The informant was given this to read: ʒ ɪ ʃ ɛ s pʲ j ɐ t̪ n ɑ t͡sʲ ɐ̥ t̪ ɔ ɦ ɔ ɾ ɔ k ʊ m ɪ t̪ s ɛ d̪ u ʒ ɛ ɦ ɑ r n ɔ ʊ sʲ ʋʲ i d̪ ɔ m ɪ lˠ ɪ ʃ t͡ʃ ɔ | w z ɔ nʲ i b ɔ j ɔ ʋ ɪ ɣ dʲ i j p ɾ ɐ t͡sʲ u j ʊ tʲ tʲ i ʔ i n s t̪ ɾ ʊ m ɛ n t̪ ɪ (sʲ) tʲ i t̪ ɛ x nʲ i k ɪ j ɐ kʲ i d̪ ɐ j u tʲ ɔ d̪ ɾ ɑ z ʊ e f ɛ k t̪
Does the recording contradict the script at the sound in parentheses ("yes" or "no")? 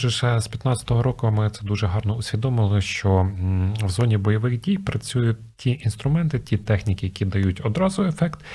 yes